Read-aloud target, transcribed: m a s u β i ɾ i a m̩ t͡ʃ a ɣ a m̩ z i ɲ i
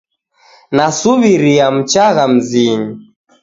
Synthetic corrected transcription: n a s u β i ɾ i a m̩ t͡ʃ a ɣ a m̩ z i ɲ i